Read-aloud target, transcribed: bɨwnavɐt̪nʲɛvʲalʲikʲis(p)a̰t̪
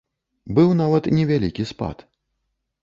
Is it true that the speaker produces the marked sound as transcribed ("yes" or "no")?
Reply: yes